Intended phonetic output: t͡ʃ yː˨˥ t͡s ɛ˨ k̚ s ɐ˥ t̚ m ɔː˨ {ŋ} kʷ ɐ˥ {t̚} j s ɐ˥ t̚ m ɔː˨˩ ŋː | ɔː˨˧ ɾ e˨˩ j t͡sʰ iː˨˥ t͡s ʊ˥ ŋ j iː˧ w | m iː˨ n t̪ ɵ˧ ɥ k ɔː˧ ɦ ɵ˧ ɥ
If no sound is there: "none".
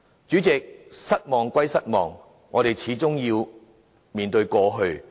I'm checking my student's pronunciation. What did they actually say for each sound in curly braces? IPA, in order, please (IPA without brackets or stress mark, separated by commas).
ŋ, none